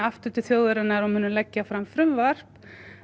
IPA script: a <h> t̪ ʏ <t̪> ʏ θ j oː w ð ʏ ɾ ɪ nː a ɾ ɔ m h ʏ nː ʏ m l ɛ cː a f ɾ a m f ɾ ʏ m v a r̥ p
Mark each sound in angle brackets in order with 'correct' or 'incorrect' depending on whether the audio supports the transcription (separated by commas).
incorrect, correct